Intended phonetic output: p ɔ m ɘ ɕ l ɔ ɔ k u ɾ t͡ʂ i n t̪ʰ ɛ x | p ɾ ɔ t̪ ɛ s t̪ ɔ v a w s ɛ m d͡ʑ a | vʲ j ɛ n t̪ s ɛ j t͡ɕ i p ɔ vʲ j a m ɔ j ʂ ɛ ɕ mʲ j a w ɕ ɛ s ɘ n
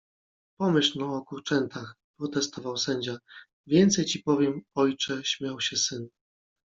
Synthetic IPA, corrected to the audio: p ɔ m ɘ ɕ l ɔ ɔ k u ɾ t͡ʂ ɛ n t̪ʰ a x | p ɾ ɔ t̪ ɛ s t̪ ɔ v a w s ɛ ɲ d͡ʑ a | vʲ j ɛ n t̪ s ɛ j t͡ɕ i p ɔ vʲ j ɛ m ɔ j t͡ʂ ɛ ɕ mʲ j a w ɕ ɛ s ɘ n

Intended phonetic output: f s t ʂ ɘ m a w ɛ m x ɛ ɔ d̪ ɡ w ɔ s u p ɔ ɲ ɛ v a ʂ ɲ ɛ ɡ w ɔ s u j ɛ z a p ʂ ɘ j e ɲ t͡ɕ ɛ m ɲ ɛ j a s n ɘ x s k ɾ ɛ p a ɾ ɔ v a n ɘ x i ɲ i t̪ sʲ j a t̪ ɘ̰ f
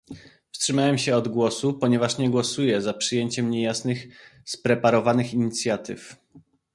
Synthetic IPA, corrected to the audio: f s t ʂ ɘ m a w ɛ m ɕ ɛ ɔ d̪ ɡ w ɔ s u p ɔ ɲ ɛ v a ʂ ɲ ɛ ɡ w ɔ s u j ɛ z a p ʂ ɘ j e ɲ t͡ɕ ɛ m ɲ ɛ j a s n ɘ x s p ɾ ɛ p a ɾ ɔ v a n ɘ x i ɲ i t̪ sʲ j a t̪ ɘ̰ f

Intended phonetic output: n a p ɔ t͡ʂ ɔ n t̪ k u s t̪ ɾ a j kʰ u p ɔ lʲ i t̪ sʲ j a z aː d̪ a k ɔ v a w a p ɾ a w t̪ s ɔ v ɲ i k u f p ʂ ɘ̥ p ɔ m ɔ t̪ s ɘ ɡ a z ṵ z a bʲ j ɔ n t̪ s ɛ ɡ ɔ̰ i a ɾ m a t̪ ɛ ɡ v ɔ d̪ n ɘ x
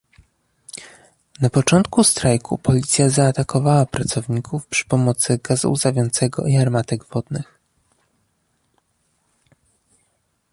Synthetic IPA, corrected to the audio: n a p ɔ t͡ʂ ɔ n t̪ k u s t̪ ɾ a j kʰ u p ɔ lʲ i t̪ sʲ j a z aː t̪ a k ɔ v a w a p ɾ a t̪ s ɔ v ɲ i k u f p ʂ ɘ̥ p ɔ m ɔ t̪ s ɘ ɡ a z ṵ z a vʲ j ɔ n t̪ s ɛ ɡ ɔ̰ i a ɾ m a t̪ ɛ ɡ v ɔ d̪ n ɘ x

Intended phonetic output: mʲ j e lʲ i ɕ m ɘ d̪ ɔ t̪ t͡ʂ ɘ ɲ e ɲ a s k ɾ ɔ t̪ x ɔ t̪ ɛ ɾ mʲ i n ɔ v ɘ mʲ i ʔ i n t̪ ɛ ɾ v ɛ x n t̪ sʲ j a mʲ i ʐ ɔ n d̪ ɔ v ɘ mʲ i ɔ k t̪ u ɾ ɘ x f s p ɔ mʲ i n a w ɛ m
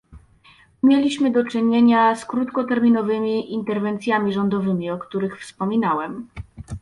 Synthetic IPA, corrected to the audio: mʲ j e lʲ i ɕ m ɘ d̪ ɔ t͡ʂ ɘ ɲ e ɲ a s k ɾ u t̪ k ɔ t̪ ɛ ɾ mʲ i n ɔ v ɘ mʲ i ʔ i n t̪ ɛ ɾ v ɛ n t̪ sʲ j a mʲ i ʐ ɔ n d̪ ɔ v ɘ mʲ i ɔ k t̪ u ɾ ɘ x f s p ɔ mʲ i n a w ɛ m

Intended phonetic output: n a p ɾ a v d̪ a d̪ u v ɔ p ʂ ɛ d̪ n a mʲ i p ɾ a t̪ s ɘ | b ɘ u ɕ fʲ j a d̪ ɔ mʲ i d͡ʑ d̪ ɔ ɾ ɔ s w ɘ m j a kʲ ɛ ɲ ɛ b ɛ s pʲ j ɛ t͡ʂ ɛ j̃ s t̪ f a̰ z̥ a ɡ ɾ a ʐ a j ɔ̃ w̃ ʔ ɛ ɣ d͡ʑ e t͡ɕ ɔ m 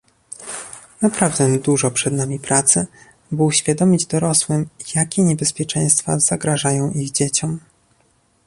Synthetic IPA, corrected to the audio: n a p ɾ a v d̪ ɛ d̪ u ʐ ɔ p ʂ ɛ d̪ n a mʲ i p ɾ a t̪ s ɘ | b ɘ u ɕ fʲ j a d̪ ɔ mʲ i d͡ʑ d̪ ɔ ɾ ɔ s w ɘ m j a kʲ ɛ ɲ ɛ b ɛ s pʲ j ɛ t͡ʂ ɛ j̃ s t̪ f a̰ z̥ a ɡ ɾ a ʐ a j ɔ̃ w̃ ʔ i ɣ d͡ʑ e t͡ɕ ɔ m

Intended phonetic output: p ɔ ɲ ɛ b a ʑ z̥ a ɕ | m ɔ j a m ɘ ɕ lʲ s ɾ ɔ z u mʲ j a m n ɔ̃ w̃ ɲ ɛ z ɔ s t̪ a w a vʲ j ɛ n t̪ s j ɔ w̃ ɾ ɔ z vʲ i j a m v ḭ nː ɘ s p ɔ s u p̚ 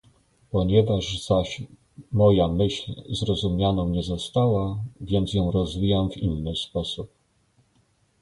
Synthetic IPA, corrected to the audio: p ɔ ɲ ɛ v a ʐ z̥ a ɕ | m ɔ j a m ɘ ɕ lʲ z ɾ ɔ z u mʲ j a n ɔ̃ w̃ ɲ ɛ z ɔ s t̪ a w a vʲ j ɛ n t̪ s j ɔ̃ w̃ ɾ ɔ z vʲ i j a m v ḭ nː ɘ s p ɔ s u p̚

